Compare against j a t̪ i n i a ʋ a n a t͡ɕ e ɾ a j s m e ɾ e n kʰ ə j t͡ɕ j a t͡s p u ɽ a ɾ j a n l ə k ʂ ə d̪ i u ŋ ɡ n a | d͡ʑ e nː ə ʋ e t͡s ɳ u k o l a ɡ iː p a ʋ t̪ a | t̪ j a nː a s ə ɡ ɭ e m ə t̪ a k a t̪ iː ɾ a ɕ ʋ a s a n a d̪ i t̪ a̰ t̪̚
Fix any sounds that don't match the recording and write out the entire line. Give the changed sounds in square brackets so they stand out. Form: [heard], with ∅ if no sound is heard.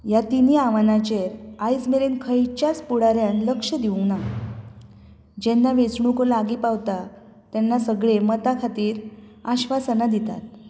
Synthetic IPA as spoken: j a t̪ i n i a ʋ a n a t͡ɕ e ɾ a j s m e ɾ e n kʰ ə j t͡ɕ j a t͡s p u ɽ a ɾ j a n l ə k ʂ ə d̪ i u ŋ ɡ n a | d͡ʑ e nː [a] ʋ e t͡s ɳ u k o l a ɡ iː p a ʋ t̪ a | t̪ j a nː a s ə ɡ ɭ e m ə t̪ a [kʰ] a t̪ iː ɾ a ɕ ʋ a s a n a d̪ i t̪ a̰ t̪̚